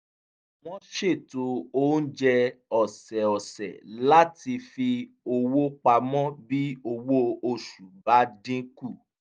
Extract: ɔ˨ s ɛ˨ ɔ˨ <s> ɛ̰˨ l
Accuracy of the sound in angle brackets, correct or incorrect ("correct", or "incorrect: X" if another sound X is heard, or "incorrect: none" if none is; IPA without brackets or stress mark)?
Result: correct